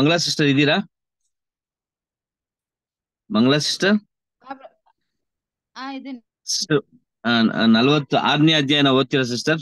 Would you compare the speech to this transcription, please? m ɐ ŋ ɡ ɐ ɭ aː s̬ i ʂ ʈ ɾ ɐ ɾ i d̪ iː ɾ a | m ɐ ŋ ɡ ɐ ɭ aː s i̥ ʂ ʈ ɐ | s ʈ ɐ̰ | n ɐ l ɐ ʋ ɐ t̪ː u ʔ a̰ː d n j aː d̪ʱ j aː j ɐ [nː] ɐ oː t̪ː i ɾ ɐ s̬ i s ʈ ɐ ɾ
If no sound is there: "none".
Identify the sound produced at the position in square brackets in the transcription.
n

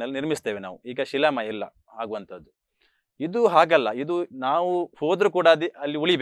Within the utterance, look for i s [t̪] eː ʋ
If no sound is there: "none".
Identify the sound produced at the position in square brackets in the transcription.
t̪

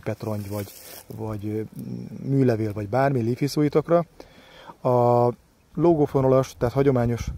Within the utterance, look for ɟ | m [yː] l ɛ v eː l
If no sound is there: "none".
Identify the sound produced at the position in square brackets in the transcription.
yː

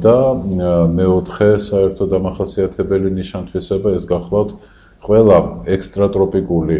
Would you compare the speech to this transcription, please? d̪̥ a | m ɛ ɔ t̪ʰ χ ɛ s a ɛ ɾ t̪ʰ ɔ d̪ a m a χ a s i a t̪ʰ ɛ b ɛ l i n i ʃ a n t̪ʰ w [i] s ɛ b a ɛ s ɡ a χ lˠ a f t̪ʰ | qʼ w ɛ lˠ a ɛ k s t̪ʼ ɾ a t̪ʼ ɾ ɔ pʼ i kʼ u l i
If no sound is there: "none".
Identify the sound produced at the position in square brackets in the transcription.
i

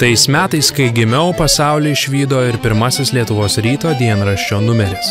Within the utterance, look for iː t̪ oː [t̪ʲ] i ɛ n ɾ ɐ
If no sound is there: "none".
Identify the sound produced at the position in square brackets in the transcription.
d̪ʲ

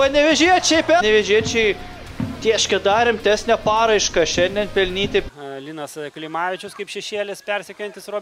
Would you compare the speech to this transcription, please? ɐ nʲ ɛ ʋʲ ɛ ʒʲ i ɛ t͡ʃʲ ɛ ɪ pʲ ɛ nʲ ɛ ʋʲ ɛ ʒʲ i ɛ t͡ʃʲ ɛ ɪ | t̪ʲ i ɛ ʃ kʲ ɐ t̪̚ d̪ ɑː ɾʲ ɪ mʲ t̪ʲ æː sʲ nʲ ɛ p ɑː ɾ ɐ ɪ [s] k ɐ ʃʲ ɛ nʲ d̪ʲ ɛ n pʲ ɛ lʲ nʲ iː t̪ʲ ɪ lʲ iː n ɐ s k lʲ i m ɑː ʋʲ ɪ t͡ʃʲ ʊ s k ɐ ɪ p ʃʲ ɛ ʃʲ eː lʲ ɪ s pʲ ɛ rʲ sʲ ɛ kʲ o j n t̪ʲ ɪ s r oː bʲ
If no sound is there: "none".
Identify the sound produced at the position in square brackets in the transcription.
ʃ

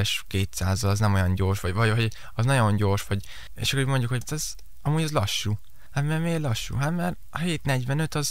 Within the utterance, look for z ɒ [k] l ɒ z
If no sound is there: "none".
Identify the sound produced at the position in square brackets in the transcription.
none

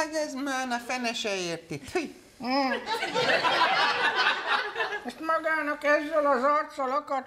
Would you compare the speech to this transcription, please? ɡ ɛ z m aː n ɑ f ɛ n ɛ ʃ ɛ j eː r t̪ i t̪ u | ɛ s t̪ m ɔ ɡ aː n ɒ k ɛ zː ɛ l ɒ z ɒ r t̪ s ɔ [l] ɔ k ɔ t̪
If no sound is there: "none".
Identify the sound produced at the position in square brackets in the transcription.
l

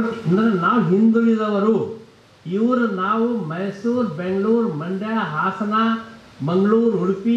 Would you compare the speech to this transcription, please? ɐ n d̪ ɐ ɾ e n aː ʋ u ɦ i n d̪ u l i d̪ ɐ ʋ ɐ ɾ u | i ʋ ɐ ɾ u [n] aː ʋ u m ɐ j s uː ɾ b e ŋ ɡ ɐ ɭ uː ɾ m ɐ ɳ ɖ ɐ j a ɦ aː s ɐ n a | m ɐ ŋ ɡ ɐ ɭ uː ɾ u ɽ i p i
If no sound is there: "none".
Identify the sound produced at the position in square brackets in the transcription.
n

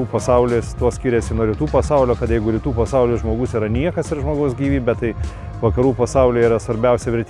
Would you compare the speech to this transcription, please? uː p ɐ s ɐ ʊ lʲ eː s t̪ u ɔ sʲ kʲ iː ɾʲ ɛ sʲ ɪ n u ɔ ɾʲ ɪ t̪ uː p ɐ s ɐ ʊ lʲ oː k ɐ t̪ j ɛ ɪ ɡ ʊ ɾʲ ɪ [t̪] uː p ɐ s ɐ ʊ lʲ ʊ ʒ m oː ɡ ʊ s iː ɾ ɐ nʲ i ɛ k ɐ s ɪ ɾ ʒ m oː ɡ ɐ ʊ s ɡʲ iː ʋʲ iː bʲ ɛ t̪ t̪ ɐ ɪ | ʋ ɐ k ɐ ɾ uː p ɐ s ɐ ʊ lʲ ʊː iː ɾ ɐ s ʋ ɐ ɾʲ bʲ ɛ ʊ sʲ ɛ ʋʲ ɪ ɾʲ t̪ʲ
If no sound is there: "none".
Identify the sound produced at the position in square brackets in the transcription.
t̪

